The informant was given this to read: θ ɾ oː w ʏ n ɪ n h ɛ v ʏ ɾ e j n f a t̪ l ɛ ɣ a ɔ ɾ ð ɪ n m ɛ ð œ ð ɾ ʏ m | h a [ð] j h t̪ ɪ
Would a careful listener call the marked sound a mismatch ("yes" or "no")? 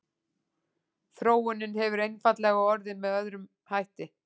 yes